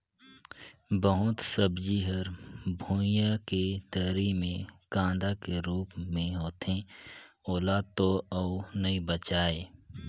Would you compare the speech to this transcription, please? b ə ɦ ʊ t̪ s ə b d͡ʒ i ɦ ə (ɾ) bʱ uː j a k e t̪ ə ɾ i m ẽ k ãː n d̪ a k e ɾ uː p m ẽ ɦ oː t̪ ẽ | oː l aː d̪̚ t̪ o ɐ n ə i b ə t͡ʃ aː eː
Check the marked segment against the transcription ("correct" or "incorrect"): correct